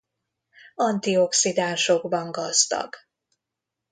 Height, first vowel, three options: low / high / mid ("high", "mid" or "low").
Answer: low